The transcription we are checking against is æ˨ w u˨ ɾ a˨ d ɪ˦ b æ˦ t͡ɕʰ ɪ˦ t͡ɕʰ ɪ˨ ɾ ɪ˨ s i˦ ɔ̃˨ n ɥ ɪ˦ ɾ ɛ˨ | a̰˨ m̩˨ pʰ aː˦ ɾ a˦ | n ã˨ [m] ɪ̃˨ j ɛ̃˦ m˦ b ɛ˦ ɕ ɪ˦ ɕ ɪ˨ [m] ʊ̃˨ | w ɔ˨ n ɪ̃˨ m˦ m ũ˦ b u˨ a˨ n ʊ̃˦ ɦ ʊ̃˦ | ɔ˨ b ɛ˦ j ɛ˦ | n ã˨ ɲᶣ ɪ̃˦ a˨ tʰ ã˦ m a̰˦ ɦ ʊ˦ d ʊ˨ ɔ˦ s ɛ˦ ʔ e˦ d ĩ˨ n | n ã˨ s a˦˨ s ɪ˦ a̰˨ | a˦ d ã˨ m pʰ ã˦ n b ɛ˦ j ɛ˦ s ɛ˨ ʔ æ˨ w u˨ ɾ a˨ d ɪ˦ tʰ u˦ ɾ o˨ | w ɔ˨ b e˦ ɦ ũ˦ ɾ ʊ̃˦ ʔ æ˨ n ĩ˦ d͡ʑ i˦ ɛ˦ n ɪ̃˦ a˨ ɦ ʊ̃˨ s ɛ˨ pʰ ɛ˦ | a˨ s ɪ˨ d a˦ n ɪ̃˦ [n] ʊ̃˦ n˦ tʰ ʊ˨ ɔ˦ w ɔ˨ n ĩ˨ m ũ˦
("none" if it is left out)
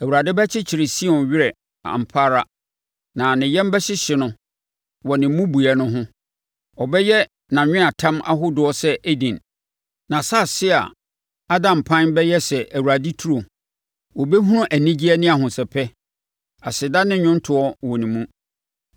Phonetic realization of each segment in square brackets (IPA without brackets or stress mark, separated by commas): n, n, ɲ